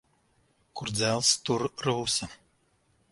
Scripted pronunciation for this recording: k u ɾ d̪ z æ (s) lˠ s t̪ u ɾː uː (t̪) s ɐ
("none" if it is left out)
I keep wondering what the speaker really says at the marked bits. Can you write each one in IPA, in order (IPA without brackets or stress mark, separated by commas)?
none, none